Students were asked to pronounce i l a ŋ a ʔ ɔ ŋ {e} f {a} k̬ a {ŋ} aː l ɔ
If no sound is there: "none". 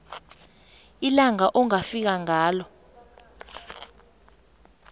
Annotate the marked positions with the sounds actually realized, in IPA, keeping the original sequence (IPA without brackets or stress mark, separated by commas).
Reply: a, i, ŋ